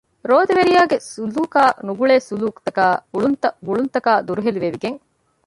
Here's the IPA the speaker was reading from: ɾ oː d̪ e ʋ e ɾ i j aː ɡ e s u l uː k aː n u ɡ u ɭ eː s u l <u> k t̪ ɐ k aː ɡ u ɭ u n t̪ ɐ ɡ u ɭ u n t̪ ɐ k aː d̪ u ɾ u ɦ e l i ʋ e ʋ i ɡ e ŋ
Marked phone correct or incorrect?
incorrect